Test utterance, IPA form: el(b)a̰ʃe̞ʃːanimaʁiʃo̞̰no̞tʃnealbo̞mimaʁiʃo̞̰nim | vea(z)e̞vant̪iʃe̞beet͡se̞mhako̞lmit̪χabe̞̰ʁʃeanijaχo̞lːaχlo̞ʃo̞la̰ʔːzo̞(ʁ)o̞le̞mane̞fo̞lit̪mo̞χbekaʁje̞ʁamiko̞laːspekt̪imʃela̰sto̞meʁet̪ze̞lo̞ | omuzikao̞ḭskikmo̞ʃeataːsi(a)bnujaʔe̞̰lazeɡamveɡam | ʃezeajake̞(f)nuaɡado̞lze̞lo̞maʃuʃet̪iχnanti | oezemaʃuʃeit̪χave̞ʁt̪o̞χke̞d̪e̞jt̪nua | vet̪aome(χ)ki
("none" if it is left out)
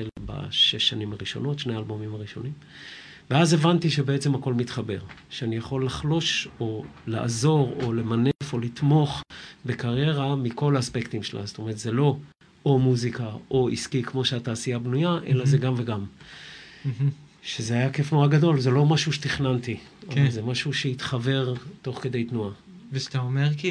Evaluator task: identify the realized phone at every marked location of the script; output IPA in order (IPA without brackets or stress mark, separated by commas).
b, z, ʁ, a, f, ʁ